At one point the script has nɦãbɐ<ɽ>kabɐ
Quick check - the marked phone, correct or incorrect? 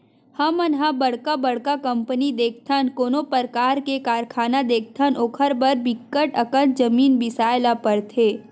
correct